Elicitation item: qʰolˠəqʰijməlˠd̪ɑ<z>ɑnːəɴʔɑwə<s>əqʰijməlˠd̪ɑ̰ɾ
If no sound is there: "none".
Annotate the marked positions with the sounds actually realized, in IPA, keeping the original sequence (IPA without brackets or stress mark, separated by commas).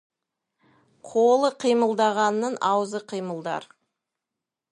ʁ, z